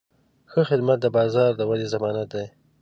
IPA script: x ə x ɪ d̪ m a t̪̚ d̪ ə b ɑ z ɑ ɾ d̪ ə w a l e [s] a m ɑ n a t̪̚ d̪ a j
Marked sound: incorrect: z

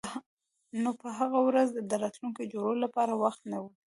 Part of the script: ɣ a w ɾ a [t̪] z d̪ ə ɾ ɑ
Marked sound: incorrect: none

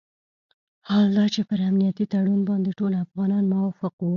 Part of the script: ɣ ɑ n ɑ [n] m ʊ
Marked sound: correct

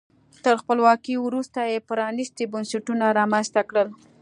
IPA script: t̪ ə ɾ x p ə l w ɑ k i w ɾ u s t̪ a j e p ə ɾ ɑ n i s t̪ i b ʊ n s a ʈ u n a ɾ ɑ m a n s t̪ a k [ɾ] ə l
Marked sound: incorrect: ɽ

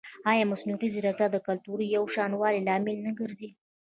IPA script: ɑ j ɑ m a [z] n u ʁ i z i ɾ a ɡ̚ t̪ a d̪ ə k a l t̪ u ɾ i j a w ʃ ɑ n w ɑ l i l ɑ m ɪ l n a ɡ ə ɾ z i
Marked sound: incorrect: s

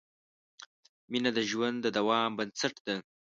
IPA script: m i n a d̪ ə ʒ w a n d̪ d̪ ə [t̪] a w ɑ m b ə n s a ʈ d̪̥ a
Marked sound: incorrect: d̪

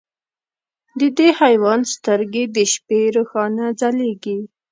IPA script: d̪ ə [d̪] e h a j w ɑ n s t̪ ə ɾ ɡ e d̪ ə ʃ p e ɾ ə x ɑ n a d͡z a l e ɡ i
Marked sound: correct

